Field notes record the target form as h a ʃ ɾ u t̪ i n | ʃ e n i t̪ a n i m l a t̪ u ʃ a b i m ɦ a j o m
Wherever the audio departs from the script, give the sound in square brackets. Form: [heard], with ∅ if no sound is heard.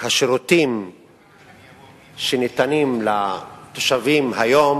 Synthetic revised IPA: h a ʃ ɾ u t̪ i [m] | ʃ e n i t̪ a n i m l a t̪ [o] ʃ a [v] i m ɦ a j o m